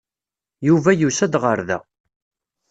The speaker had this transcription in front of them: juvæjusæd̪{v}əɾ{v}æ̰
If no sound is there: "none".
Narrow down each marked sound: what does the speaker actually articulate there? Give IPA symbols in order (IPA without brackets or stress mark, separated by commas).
ʁ, ð